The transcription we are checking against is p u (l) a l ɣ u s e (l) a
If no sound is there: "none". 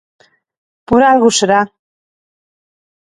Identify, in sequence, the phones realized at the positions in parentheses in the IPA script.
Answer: ɾ, ɾ

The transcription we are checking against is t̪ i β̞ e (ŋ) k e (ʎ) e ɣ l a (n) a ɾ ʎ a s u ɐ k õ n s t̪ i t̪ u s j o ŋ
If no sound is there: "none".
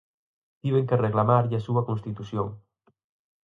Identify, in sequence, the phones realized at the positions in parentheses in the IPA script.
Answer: ŋ, r, m

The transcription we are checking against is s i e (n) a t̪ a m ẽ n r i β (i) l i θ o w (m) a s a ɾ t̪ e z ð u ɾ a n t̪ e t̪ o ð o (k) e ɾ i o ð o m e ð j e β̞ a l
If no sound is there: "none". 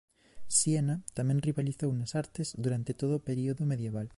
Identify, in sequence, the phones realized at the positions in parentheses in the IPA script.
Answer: n, a, n, p

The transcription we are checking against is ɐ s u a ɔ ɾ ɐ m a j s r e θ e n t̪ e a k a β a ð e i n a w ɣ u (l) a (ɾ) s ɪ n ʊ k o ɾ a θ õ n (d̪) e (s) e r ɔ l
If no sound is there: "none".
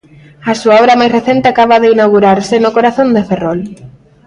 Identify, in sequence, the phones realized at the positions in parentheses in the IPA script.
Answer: ɾ, ɾ, d̪, f

